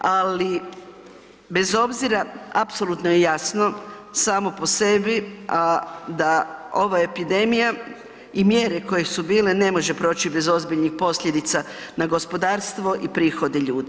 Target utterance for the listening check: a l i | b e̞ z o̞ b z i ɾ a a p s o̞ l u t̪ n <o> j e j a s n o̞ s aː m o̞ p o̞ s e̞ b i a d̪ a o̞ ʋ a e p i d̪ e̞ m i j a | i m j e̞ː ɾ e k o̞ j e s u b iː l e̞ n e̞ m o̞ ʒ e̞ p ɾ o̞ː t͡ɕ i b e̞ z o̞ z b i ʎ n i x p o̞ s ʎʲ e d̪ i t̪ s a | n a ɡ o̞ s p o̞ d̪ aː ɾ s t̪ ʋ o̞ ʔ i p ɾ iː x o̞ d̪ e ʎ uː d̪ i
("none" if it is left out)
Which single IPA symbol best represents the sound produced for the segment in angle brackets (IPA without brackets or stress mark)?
o